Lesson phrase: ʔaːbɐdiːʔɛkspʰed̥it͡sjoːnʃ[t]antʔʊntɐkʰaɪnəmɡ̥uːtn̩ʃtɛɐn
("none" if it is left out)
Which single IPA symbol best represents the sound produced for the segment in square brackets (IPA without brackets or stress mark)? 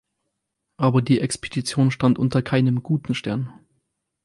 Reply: t